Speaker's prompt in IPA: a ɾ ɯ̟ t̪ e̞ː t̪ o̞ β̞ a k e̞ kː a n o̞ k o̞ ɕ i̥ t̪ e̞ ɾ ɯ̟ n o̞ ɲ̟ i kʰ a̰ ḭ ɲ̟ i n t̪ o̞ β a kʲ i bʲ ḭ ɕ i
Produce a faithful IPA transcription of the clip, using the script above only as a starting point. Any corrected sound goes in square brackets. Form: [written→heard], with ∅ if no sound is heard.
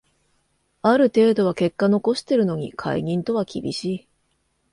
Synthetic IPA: a ɾ ɯ̟ t̪ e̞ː [t̪→d̪] o̞ β̞ a k e̞ kː a n o̞ k o̞ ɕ i̥ t̪ e̞ ɾ ɯ̟ n o̞ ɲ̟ i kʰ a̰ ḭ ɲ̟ [i→ĩ] n t̪ o̞ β a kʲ i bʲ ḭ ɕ [i→iː]